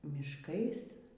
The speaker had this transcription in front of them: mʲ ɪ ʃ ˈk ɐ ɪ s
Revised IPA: mʲ ɪ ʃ ˈk ɐ ɪ s

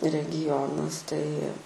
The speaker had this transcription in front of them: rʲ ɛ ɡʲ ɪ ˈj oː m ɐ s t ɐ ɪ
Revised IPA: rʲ ɛ ɡʲ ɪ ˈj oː n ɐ s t ɐ ɪ

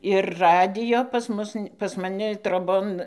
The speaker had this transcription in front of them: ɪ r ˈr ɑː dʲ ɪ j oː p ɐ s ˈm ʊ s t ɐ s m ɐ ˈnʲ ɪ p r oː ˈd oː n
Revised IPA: ɪ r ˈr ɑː dʲ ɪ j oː p ɐ s ˈm ʊ s p ɐ s m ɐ ˈnʲ ɪ t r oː ˈb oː n

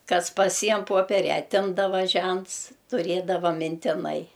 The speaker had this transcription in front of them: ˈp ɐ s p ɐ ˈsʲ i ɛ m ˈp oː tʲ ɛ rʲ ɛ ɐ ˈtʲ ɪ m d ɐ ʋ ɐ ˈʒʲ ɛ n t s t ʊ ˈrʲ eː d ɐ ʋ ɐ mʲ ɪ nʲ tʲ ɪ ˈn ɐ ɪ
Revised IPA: ˈk ɐ s p ɐ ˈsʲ i ɛ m ˈp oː pʲ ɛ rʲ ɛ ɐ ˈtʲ ɪ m d ɐ ʋ ɐ ˈʒʲ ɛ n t s t ʊ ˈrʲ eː d ɐ ʋ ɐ mʲ ɪ nʲ tʲ ɪ ˈn ɐ ɪ

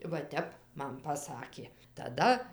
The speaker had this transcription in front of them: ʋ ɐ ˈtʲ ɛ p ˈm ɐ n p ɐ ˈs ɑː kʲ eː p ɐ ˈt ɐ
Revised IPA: ʋ ɐ ˈtʲ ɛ p ˈm ɐ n p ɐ ˈs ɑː kʲ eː t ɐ ˈd ɐ

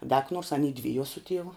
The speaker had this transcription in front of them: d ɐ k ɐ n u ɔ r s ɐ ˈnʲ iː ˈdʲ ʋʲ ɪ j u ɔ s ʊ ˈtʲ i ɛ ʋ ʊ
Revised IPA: d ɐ k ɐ n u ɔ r s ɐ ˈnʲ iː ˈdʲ ʋʲ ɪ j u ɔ s ʊ ˈtʲ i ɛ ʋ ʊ

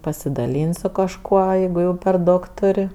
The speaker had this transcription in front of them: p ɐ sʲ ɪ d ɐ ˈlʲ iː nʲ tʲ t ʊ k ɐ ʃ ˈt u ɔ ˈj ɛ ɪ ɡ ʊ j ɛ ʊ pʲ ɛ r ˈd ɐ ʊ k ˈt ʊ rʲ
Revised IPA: p ɐ sʲ ɪ d ɐ ˈlʲ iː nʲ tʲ s ʊ k ɐ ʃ ˈk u ɔ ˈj ɛ ɪ ɡ ʊ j ɛ ʊ pʲ ɛ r ˈd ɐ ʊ k ˈt ʊ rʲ

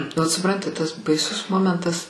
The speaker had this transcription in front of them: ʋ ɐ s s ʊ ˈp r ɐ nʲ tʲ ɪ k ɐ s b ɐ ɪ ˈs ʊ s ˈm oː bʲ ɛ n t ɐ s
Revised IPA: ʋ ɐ t s ʊ ˈp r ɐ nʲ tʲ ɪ t ɐ s b ɐ ɪ ˈs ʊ s ˈm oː mʲ ɛ n t ɐ s

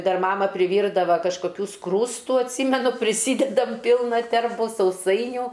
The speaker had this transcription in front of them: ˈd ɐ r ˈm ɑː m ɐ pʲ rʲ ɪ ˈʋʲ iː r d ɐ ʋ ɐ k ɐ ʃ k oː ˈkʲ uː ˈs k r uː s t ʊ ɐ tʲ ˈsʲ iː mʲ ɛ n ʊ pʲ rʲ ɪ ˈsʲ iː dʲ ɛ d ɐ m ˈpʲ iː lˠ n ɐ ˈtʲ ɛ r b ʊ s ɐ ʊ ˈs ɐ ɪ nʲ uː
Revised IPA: ˈd ɐ r ˈm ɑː m ɐ pʲ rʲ ɪ ˈʋʲ iː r d ɐ ʋ ɐ k ɐ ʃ k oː ˈkʲ uː ˈs k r uː s t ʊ ɐ tʲ ˈsʲ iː mʲ ɛ n ʊ pʲ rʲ ɪ ˈsʲ iː dʲ ɛ d ɐ m ˈpʲ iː lˠ n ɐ ˈtʲ ɛ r b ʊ s ɐ ʊ ˈs ɐ ɪ nʲ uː

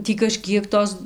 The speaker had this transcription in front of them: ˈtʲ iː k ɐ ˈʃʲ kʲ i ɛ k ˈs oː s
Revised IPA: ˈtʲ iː k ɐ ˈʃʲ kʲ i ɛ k ˈt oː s

